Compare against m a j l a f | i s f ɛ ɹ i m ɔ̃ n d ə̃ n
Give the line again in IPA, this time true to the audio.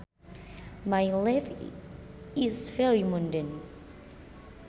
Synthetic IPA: m a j l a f | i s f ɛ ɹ i m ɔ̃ n d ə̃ n